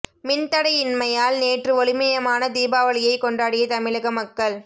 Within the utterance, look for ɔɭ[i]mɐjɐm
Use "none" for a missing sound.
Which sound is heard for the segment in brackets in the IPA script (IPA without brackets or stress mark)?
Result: ɪ